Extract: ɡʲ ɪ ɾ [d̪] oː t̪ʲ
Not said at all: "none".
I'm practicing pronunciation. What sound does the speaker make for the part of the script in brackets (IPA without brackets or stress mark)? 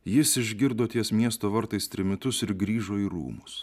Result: d̪